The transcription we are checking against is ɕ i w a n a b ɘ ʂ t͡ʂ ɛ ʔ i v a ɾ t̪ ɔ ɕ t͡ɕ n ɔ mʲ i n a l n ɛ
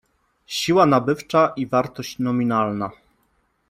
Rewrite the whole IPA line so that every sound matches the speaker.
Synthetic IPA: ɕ i w a n a b ɘ f t͡ʂ a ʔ i v a ɾ t̪ ɔ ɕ t͡ɕ n ɔ mʲ i n a l n a